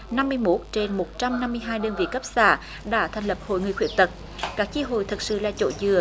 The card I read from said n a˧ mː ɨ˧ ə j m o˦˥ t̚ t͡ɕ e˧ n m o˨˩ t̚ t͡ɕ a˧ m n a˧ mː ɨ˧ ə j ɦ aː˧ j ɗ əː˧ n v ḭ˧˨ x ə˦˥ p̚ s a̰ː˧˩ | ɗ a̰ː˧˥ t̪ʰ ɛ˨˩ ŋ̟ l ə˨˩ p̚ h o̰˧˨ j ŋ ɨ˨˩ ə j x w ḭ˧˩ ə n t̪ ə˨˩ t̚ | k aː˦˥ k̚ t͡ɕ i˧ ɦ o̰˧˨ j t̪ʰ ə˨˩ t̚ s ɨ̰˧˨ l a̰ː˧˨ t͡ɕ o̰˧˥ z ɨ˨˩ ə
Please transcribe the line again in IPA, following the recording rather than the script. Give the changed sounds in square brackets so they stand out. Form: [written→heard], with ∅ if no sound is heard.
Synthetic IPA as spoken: n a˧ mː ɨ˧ ə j m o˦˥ t̚ t͡ɕ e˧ n m o˨˩ t̚ t͡ɕ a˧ m n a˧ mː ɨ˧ ə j ɦ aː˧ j ɗ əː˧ n v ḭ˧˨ [x→k] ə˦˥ p̚ s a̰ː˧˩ | ɗ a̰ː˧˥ t̪ʰ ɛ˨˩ ŋ̟ l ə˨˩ p̚ h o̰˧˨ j ŋ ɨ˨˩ ə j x w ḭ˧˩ ə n t̪ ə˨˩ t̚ | k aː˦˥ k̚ t͡ɕ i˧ ɦ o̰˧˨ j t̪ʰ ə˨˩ t̚ s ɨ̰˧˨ l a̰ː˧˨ t͡ɕ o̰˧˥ z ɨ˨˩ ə